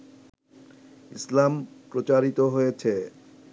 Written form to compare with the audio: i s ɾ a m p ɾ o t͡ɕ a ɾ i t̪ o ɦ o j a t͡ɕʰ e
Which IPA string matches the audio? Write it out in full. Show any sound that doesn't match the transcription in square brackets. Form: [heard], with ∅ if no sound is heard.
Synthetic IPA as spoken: i s [l] a m p ɾ o t͡ɕ a ɾ i t̪ o ɦ o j [e] t͡ɕʰ e